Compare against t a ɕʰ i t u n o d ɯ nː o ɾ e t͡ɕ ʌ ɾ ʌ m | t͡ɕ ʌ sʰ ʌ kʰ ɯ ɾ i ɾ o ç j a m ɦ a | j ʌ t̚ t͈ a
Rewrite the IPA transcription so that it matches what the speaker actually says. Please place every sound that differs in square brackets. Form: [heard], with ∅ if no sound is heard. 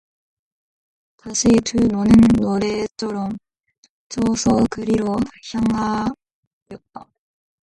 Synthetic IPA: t a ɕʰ i t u n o [n] ɯ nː o ɾ e [t͡ɕʰ] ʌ ɾ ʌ m | t͡ɕ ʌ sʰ ʌ [k] ɯ ɾ i ɾ o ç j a [ŋ] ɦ a | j ʌ t̚ t͈ a